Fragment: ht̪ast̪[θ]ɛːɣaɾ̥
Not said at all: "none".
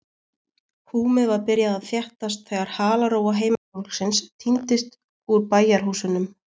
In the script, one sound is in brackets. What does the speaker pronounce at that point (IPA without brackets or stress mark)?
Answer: θ